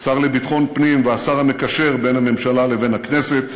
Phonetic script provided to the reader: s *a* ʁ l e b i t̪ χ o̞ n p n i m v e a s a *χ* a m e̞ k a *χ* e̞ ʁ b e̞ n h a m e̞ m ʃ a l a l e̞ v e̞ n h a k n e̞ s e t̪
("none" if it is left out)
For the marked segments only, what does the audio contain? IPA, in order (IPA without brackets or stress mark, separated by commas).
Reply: a, ʁ, ʃ